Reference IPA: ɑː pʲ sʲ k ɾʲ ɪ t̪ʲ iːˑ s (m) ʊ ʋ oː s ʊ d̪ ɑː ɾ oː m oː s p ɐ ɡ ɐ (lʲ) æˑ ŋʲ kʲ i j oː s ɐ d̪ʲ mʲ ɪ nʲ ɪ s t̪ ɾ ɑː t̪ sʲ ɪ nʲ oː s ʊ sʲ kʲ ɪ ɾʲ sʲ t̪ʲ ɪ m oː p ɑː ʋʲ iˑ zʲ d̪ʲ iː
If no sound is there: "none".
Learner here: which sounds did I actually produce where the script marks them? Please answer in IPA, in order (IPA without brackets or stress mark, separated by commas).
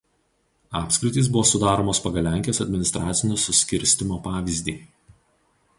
b, lʲ